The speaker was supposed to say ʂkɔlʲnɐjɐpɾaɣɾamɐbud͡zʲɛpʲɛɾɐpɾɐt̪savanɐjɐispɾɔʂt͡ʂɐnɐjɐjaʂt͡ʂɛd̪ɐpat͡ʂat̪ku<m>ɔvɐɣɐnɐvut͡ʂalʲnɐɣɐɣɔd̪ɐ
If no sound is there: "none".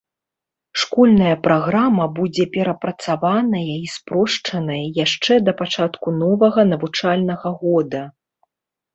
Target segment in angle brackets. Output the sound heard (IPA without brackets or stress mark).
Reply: n